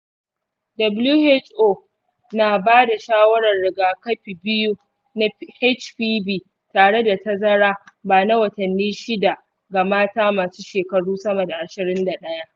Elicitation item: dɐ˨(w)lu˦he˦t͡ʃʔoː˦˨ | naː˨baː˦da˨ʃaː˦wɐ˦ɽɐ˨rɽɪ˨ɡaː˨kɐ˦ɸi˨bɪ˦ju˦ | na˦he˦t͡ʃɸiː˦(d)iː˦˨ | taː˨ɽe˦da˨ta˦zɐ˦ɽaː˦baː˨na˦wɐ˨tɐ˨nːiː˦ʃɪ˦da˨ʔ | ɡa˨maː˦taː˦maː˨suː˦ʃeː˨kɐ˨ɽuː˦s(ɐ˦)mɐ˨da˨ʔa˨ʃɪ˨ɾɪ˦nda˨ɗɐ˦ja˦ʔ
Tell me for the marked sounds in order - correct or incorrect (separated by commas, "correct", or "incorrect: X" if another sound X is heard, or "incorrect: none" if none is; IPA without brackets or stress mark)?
incorrect: b, incorrect: b, correct